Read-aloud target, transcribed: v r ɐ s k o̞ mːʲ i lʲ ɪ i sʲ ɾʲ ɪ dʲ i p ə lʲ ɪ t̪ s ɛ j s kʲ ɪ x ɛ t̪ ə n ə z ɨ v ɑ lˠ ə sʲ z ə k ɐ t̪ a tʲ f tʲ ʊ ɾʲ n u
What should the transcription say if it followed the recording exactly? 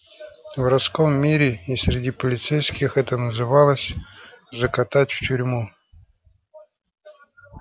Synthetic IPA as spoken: v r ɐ s k o̞ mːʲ i ɾʲ ɪ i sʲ ɾʲ ɪ dʲ i p ə lʲ ɪ t̪ s ɛ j s kʲ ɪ x ɛ t̪ ə n ə z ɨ v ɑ lˠ ə sʲ z ə k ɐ t̪ a tʲ f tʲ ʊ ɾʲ m u